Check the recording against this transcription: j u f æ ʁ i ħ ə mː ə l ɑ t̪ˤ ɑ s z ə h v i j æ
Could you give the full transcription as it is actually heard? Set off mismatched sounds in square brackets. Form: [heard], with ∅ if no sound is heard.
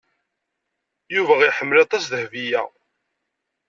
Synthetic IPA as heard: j u [v] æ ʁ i ħ ə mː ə l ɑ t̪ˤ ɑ s [ð] ə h v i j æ